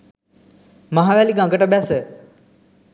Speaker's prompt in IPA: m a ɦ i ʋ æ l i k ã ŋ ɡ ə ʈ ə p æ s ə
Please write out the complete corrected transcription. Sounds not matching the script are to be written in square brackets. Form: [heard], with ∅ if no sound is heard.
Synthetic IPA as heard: m a ɦ [a] ʋ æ l i [ɡ] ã ŋ ɡ ə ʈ ə [b] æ s ə